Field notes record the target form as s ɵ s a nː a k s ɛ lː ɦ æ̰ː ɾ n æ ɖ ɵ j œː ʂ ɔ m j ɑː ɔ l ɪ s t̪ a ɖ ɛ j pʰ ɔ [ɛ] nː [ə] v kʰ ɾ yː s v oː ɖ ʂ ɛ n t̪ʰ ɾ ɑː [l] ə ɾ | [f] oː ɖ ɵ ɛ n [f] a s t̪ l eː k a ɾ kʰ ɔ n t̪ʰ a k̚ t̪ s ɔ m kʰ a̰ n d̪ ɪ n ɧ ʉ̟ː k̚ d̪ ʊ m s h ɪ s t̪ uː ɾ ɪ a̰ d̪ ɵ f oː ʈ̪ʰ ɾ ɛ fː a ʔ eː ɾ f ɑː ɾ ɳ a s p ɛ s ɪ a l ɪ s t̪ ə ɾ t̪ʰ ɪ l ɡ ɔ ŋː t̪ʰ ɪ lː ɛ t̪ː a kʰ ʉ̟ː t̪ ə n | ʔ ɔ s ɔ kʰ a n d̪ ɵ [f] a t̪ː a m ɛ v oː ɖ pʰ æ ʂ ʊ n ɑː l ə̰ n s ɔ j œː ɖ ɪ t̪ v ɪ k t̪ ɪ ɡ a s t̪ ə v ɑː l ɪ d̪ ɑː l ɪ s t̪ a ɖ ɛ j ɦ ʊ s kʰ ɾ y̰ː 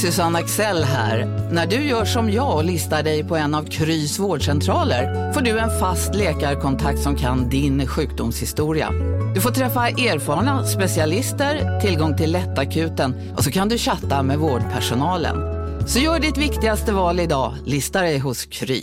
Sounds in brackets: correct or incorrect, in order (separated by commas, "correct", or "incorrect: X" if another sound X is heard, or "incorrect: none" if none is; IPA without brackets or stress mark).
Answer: correct, incorrect: a, correct, correct, correct, incorrect: ɕ